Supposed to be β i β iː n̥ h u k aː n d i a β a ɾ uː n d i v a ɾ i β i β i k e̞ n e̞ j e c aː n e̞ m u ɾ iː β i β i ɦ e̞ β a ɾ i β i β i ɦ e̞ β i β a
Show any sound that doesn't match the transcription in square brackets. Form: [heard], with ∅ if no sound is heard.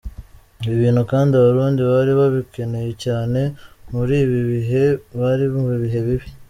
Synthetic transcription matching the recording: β i β iː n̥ h u k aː n d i a β a ɾ uː n d i [β] a ɾ i β [a] β i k e̞ n e̞ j e c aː n e̞ m u ɾ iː β i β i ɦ e̞ β a ɾ i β i β i ɦ e̞ β i β [i]